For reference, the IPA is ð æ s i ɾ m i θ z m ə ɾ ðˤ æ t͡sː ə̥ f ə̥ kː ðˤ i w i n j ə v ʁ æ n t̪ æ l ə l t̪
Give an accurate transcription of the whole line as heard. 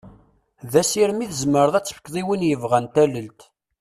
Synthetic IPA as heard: ð æ s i ɾ m i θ z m ə ɾ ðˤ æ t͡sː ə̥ f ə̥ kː ðˤ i w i n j ə v ʁ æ n t̪ æ l ə l t̪